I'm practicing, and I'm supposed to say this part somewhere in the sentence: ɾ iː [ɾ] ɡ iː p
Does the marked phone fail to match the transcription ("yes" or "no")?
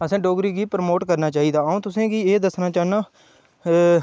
yes